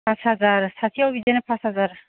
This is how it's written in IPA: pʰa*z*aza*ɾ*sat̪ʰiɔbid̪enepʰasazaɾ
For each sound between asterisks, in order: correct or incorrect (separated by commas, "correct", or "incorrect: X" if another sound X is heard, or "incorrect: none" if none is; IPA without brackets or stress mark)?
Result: incorrect: s, correct